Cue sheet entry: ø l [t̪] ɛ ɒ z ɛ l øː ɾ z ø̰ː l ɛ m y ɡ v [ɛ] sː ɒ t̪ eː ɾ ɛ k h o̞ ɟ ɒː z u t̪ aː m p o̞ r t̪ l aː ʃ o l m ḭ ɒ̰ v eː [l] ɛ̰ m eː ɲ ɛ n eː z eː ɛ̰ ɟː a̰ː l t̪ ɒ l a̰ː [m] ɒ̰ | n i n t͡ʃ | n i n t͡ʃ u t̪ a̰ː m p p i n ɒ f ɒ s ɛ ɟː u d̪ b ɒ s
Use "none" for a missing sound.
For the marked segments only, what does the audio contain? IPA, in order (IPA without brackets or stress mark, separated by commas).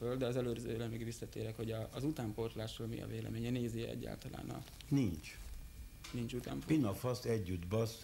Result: d̪, i, l, n